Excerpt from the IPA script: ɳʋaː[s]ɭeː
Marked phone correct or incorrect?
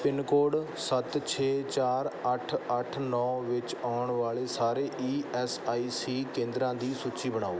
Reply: incorrect